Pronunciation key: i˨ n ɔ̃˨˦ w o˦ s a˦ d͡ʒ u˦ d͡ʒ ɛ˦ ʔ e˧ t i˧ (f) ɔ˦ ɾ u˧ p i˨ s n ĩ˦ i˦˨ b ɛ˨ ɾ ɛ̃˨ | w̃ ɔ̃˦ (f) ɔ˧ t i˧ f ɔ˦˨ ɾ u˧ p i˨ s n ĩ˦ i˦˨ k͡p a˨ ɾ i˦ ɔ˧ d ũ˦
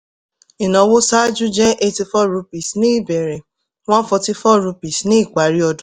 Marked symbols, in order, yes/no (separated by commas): yes, yes